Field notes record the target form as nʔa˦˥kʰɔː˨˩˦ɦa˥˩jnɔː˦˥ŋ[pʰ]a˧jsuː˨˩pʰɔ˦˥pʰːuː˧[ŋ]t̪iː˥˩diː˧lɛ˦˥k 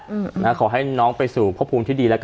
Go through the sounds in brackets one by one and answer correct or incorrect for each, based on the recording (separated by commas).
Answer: incorrect, incorrect